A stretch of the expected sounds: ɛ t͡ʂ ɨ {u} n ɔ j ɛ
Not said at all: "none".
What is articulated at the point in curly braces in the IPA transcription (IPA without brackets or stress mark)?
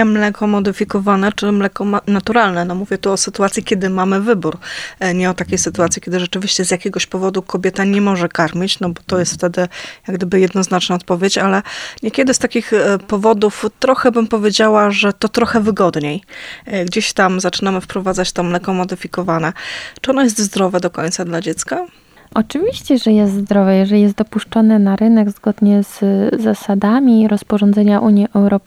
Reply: ɔ